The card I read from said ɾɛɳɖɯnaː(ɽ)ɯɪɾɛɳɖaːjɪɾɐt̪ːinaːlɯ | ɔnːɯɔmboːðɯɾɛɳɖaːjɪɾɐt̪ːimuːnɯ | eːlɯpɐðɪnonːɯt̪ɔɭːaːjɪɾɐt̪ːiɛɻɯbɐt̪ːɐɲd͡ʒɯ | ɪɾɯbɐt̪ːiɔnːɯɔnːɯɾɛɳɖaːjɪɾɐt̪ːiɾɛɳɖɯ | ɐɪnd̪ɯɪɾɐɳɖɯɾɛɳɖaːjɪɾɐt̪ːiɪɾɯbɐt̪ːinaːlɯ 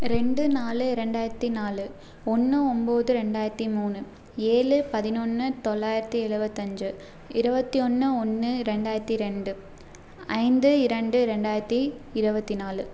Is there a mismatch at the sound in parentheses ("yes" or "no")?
yes